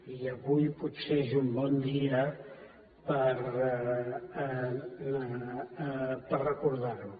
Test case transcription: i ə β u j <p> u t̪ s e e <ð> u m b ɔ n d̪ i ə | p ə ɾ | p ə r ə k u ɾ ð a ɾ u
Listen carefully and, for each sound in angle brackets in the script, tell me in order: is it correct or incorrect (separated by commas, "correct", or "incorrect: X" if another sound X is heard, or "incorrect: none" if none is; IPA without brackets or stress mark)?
correct, incorrect: z